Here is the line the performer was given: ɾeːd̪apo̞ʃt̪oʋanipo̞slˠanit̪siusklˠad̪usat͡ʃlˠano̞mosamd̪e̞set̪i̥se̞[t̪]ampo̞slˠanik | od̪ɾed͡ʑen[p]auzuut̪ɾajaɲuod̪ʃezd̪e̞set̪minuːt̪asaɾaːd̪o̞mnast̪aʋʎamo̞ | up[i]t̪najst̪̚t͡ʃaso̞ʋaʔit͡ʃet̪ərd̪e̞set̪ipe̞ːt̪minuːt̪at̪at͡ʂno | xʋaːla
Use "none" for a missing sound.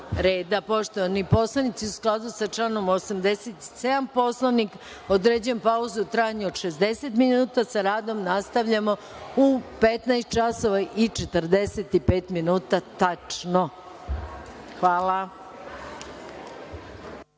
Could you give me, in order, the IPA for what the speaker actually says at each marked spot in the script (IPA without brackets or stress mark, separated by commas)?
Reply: d̪, p, e